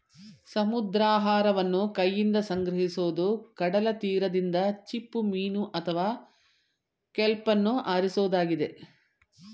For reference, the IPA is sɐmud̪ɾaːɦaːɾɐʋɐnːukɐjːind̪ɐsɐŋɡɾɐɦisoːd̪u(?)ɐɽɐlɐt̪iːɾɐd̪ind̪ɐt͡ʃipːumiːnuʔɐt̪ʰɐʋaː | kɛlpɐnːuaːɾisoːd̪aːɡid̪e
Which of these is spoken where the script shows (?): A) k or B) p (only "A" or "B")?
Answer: A